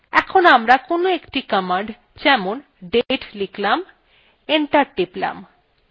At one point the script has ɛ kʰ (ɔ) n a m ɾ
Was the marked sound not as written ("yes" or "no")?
yes